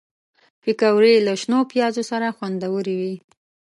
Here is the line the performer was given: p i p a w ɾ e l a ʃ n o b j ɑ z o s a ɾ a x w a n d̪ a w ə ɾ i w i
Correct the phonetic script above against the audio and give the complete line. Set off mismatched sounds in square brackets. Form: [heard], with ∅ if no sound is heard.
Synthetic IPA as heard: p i [k] a w ɾ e l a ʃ n o [p] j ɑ z o s a ɾ a x w a n d̪ a w ə ɾ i w i